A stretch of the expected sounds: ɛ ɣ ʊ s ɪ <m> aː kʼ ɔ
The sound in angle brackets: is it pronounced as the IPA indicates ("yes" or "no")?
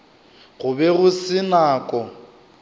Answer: no